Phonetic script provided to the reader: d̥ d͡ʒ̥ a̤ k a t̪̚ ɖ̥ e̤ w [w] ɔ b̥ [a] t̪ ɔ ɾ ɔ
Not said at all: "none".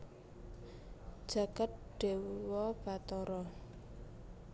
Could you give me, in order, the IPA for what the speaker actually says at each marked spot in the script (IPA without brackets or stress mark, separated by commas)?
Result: w, a